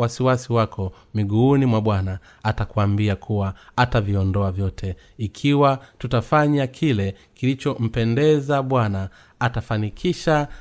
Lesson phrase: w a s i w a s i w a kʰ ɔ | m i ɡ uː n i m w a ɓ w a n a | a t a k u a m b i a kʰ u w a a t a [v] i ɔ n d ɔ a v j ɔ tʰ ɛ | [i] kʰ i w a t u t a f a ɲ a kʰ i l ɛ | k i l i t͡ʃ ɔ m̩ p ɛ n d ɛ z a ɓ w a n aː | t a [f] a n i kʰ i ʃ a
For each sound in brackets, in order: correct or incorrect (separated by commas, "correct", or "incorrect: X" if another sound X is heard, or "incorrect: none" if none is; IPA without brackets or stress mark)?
correct, correct, correct